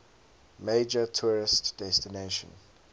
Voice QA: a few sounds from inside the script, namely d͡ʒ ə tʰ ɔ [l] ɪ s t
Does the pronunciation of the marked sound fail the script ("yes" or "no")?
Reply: yes